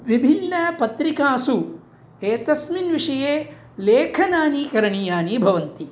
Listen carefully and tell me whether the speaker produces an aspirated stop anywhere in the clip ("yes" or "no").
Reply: yes